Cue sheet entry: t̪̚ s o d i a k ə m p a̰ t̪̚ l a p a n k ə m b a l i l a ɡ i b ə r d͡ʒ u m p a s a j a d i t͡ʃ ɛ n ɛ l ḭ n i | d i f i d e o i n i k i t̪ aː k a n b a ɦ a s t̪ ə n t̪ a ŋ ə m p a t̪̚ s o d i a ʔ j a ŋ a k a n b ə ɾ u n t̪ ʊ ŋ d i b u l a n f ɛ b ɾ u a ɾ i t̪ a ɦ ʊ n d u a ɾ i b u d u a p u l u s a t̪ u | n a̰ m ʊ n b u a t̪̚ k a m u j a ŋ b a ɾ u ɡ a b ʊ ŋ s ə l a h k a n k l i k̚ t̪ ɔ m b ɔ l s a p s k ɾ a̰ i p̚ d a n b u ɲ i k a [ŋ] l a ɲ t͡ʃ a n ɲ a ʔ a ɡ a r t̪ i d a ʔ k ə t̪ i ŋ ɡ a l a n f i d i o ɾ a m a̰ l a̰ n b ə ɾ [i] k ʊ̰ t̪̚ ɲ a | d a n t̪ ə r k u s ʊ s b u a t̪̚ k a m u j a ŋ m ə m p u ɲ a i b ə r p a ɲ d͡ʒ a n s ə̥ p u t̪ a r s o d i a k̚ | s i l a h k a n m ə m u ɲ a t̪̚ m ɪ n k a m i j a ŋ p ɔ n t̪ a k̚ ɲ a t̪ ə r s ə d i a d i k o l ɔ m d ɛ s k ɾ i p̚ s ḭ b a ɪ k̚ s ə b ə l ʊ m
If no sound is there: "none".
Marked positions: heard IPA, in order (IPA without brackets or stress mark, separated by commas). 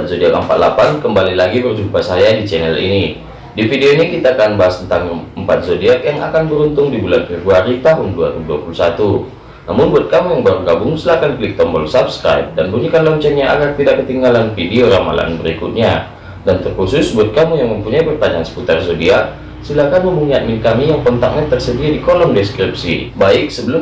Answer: n, i